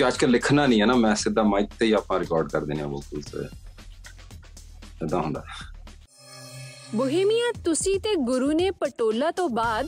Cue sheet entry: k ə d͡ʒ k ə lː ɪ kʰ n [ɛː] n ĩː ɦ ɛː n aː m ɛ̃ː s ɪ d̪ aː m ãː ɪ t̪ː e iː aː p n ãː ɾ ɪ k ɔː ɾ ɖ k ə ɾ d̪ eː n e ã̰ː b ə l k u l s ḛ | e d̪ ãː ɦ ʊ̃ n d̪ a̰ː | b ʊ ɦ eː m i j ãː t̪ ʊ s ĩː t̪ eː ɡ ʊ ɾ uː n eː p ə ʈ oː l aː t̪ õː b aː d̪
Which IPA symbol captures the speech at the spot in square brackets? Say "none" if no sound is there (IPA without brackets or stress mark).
aː